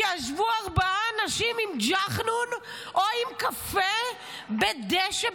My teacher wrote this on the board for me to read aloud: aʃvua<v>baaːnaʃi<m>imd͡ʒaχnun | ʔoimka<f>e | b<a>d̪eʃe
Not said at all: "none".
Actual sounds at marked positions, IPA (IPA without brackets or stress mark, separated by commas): ʁ, m, f, e